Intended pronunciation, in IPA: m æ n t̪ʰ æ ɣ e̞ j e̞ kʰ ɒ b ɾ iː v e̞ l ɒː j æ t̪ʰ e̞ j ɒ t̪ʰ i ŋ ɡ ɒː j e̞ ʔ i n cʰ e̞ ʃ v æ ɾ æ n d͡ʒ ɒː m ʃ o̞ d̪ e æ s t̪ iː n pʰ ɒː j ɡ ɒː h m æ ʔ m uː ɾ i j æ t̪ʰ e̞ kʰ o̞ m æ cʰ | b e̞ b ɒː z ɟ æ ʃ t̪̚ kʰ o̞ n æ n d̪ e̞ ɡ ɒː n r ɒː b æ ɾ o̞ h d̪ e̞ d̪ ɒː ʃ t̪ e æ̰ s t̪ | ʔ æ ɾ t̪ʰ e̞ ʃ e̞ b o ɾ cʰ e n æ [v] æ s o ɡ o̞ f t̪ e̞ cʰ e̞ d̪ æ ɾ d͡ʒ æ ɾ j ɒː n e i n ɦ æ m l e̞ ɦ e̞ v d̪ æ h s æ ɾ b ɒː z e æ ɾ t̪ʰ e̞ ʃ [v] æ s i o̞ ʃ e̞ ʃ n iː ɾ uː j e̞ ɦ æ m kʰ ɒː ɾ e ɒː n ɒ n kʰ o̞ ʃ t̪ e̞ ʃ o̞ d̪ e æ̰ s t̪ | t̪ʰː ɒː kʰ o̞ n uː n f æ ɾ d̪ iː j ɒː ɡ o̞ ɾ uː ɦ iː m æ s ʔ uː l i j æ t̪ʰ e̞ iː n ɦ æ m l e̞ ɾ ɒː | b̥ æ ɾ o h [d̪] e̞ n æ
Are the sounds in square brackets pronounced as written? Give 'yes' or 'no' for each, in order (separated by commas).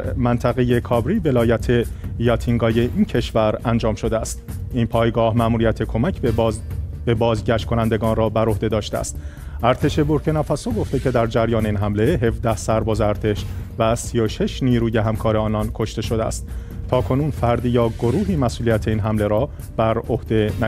no, yes, yes